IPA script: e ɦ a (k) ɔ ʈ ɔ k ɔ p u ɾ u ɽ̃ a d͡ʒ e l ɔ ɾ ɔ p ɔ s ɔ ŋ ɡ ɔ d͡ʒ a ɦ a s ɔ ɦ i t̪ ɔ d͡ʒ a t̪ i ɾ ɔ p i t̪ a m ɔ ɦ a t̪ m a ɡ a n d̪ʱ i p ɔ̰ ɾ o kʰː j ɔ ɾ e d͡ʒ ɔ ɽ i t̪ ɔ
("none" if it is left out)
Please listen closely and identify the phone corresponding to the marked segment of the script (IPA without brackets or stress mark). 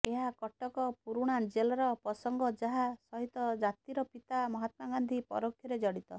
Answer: k